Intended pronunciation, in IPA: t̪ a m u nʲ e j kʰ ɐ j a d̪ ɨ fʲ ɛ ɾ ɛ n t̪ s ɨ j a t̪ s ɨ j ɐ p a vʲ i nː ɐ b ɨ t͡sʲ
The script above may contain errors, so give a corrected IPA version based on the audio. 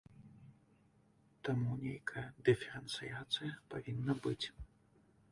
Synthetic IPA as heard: t̪ a m u nʲ e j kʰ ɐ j ɐ d̪ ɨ fʲ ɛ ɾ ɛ n t̪ s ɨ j a t̪ s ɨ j ɐ p a vʲ i nː ɐ b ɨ t͡sʲ